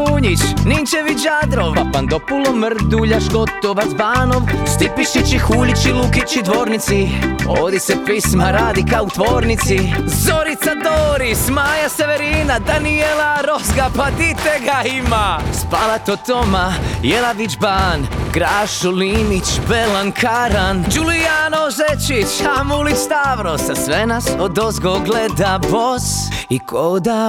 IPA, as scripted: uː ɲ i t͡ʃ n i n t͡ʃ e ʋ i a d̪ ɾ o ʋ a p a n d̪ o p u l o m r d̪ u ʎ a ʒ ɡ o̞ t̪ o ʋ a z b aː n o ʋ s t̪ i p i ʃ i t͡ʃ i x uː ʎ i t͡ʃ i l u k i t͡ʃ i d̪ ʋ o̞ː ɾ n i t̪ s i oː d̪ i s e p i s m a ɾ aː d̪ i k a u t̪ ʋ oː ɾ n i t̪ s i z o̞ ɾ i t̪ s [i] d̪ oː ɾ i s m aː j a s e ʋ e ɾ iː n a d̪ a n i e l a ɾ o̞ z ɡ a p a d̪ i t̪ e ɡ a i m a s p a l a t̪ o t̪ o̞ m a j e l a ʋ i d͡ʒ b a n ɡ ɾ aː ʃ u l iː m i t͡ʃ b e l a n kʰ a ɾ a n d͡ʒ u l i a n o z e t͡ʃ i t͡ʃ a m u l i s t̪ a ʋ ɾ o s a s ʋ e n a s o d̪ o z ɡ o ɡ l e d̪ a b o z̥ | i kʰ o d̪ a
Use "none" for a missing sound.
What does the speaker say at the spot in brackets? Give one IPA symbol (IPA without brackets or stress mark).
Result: a